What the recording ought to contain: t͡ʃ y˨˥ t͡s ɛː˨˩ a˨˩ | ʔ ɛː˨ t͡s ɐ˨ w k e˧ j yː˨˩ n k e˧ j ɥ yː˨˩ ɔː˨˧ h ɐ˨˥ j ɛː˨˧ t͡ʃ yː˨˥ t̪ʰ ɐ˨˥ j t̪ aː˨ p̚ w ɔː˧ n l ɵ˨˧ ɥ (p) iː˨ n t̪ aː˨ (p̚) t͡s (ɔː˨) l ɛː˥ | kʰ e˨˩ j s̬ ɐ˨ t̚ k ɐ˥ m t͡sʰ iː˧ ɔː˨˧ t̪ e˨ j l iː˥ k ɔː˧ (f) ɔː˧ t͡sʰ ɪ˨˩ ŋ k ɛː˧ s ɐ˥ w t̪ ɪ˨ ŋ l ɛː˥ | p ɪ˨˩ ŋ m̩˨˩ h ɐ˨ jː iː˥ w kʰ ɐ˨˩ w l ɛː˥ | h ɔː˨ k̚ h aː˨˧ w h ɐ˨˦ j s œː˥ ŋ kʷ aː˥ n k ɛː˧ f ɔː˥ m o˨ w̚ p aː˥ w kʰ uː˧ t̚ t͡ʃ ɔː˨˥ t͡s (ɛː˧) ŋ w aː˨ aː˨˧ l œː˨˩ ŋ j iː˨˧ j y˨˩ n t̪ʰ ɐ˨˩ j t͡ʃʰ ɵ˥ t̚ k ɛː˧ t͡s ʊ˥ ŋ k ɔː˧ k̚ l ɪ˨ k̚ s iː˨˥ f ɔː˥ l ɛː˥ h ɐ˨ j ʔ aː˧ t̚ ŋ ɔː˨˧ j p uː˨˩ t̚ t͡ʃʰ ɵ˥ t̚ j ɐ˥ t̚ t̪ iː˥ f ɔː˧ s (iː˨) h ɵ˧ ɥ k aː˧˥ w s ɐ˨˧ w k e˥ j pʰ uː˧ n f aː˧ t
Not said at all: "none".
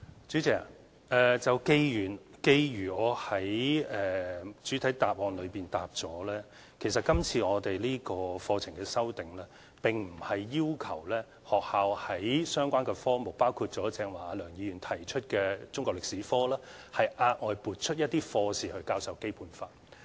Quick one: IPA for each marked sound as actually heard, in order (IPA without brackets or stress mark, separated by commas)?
p, p̚, ɔː˨˥, f, ɛː˧, iː˨